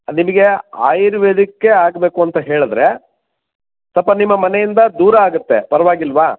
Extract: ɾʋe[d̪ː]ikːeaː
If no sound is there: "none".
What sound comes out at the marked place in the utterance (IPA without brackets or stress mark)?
d̪